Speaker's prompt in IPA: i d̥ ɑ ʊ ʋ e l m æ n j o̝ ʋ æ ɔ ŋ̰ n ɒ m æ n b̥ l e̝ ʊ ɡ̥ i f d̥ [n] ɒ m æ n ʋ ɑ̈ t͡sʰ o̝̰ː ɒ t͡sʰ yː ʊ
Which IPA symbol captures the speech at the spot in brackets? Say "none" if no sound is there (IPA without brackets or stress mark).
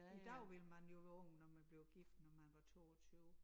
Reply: n